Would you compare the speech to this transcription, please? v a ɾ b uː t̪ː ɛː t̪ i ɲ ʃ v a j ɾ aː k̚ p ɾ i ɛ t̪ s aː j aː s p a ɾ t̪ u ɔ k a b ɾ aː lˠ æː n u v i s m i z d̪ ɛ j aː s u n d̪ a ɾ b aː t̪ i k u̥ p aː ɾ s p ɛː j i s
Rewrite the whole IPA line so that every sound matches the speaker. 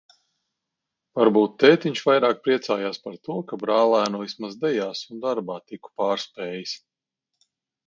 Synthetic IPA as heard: v a ɾ b uː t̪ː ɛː t̪ i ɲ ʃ v a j ɾ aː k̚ p ɾ i ɛ t̪ s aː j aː s p a ɾ t̪ u ɔ k a b ɾ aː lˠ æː n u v i s m a z d̪ ɛ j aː s u n d̪ a ɾ b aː t̪ i k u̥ p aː ɾ s p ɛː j i s